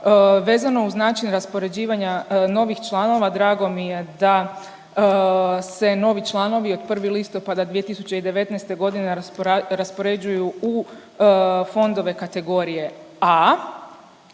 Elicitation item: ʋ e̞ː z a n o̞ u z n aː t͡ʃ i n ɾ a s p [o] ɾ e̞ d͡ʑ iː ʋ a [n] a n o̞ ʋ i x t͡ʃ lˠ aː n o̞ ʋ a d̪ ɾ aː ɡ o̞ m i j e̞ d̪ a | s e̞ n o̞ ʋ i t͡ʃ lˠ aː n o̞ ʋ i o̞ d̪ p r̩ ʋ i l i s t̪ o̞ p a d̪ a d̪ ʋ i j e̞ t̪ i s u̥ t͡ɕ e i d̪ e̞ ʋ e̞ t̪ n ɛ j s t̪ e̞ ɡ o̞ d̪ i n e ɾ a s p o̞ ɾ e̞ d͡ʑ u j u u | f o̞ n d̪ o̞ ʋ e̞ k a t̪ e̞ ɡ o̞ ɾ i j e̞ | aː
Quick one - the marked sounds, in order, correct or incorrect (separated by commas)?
correct, incorrect